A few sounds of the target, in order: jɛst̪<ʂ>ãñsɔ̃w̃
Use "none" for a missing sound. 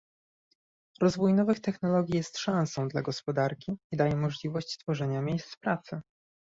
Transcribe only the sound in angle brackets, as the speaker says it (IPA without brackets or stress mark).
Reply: ʂ